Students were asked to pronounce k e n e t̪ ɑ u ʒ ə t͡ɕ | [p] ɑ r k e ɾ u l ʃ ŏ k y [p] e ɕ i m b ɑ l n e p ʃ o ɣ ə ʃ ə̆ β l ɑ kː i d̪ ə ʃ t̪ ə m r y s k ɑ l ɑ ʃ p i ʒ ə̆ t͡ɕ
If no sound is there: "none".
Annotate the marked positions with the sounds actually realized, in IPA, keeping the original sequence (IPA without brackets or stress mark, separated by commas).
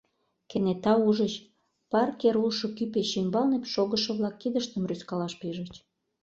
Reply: p, p